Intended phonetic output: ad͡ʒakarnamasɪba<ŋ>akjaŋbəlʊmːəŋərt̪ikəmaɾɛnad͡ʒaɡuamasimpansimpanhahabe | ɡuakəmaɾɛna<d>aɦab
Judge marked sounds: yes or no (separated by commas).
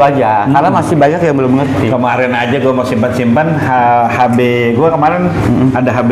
no, yes